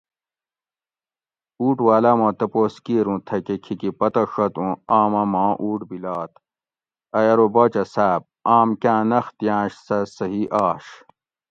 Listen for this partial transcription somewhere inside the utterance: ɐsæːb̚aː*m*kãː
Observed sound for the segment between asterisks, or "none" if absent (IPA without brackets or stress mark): m